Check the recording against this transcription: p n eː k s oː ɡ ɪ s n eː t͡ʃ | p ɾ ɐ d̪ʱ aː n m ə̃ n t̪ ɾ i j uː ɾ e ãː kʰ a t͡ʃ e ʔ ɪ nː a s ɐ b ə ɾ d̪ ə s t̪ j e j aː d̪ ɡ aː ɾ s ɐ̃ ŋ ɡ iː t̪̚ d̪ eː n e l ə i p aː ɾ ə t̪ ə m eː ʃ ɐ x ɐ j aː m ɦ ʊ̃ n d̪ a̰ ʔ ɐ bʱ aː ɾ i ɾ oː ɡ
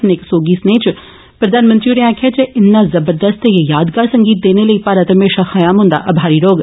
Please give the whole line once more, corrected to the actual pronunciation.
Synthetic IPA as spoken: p n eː k s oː ɡ i s n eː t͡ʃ | p ɾ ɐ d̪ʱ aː n m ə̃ n t̪ ɾ i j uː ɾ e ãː kʰ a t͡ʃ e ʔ ɪ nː a z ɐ b ə ɾ d̪ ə s t̪ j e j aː d̪ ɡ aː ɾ s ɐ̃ ŋ ɡ iː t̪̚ d̪ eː n e l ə i p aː ɾ ə t̪ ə m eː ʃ a x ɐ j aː m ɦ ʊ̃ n d̪ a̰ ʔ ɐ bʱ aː ɾ i ɾ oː ɡ

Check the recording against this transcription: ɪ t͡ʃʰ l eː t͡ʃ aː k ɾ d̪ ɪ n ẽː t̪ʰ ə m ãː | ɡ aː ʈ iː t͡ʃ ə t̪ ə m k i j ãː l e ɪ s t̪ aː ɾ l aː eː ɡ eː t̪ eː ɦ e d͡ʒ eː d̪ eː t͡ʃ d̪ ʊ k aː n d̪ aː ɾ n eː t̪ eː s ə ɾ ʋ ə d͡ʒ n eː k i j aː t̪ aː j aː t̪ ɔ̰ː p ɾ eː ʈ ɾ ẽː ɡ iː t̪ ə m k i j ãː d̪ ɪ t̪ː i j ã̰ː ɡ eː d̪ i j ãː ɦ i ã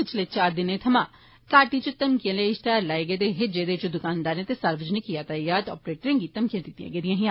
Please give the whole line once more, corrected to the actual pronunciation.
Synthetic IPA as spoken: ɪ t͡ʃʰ l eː t͡ʃ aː ɾ d̪ ɪ n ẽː t̪ʰ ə m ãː | k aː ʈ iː t͡ʃ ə t̪ ə m k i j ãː l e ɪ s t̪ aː ɾ l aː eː ɡ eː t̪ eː ɦ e d͡ʒ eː d̪ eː t͡ʃ d̪ ʊ k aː n d̪ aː ɾ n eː t̪ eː s ə ɾ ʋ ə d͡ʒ n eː k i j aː t̪ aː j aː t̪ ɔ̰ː p ɾ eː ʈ ɾ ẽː ɡ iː t̪ ə m k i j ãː d̪ ɪ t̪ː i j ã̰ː ɡ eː d̪ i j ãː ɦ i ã

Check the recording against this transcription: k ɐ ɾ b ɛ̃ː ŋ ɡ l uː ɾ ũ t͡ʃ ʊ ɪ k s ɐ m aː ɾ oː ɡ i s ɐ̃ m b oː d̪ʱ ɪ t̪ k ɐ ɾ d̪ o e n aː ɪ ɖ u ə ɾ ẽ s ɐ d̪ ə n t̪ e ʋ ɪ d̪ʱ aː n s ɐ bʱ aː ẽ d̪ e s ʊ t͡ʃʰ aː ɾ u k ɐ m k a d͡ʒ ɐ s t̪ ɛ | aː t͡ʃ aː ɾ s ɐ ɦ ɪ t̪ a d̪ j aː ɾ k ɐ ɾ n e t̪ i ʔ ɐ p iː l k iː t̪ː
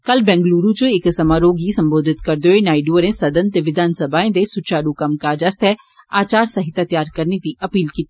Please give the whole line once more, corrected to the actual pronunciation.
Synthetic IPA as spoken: k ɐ l b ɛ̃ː ŋ ɡ l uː ɾ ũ t͡ʃ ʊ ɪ k s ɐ m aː ɾ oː ɡ i s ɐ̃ m b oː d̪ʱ ɪ t̪ k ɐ ɾ d̪ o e n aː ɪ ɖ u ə ɾ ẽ s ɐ d̪ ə n t̪ e ʋ ɪ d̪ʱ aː n s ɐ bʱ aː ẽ d̪ e s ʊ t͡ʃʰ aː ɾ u k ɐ m k a d͡ʒ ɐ s t̪ ɛ | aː t͡ʃ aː ɾ s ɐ ɦ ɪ t̪ a t̪ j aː ɾ k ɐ ɾ n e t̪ i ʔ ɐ p iː l k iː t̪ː

